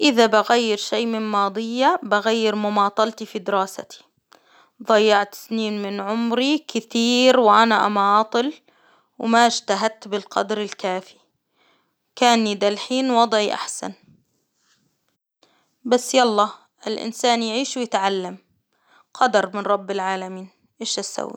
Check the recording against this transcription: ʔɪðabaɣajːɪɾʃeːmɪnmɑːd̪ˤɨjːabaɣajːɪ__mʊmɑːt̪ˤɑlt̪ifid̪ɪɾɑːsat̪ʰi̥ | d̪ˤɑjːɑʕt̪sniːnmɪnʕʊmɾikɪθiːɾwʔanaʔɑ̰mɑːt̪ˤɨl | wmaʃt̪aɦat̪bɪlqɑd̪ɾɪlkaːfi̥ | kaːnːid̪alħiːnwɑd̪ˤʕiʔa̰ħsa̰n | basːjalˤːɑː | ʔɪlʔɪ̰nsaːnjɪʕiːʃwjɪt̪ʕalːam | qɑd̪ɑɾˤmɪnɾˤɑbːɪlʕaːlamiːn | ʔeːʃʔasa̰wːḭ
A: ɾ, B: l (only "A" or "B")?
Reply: A